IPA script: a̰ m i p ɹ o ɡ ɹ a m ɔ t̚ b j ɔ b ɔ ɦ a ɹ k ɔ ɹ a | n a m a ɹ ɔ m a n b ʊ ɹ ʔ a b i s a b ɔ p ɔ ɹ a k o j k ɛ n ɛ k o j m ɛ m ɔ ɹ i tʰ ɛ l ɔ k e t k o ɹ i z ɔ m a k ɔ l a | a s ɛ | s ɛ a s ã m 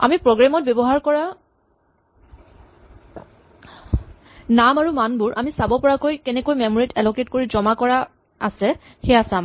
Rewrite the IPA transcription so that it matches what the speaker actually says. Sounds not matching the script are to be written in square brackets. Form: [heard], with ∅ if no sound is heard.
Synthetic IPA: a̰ m i p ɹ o ɡ ɹ a m ɔ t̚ b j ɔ b ɔ ɦ a ɹ k ɔ ɹ a | n a m a ɹ [u] m a n b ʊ ɹ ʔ a [m] i s a b ɔ p ɔ ɹ a k o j k ɛ n ɛ k o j m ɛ m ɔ ɹ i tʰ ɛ l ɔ k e t k o ɹ i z ɔ m a k ɔ [ɹ] a | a s ɛ | [x] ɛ a s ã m

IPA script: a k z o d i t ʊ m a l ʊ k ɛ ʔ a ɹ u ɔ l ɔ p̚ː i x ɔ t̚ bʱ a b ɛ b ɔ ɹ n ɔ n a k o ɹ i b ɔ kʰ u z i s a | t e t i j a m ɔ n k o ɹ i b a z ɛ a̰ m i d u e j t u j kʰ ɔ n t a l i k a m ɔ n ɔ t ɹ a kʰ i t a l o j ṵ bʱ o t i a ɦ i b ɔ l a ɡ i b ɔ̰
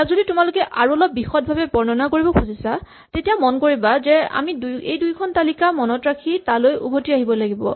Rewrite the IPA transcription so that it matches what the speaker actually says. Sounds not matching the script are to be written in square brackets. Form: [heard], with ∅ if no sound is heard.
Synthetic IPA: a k z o d i t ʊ m a l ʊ k ɛ ʔ a ɹ u ɔ l ɔ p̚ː i x ɔ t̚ bʱ a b ɛ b ɔ ɹ n ɔ n a k o ɹ i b ɔ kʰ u z i s a | t e t i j a m ɔ n k o ɹ i b a z ɛ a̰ m i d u e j [d] u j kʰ ɔ n t a l i k a m ɔ n ɔ t ɹ a kʰ i t a l o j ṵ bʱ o t i a ɦ i b ɔ l a ɡ i b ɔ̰

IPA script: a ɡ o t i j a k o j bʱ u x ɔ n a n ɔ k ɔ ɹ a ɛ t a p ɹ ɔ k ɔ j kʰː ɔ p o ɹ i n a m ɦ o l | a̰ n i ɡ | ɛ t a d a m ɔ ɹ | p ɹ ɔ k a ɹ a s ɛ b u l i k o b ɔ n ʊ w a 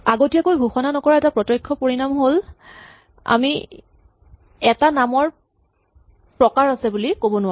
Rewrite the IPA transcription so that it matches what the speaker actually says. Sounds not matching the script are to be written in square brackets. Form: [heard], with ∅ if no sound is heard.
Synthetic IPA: a ɡ o t i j a k o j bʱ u x ɔ n a n ɔ k ɔ ɹ a ɛ t a p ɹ ɔ [t] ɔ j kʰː ɔ p o ɹ i n a m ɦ o l | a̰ [m] i [∅] | ɛ t a [n] a m ɔ ɹ | p ɹ ɔ k a ɹ a s ɛ b u l i k o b ɔ n ʊ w a

